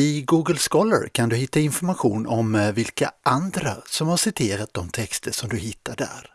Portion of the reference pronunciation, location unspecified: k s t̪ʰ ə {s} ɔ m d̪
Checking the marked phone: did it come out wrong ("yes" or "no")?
yes